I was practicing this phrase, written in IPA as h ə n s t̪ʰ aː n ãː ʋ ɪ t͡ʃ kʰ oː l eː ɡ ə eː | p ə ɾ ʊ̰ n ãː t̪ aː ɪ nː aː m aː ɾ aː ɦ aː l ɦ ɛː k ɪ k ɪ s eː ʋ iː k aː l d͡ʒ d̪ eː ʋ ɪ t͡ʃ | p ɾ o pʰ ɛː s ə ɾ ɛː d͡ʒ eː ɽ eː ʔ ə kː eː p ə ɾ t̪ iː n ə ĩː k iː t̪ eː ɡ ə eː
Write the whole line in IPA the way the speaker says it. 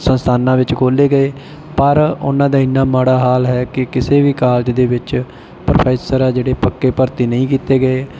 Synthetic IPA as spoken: s ə n s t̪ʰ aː n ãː ʋ ɪ t͡ʃ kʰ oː l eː ɡ ə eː | p ə ɾ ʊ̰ n ãː d̪ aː ɪ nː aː m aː ɽ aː ɦ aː l ɦ ɛː k ɪ k ɪ s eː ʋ iː k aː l d͡ʒ d̪ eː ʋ ɪ t͡ʃ | p ɾ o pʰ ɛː s ə ɾ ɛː d͡ʒ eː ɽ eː p ə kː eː p ə ɾ t̪ iː n ə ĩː k iː t̪ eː ɡ ə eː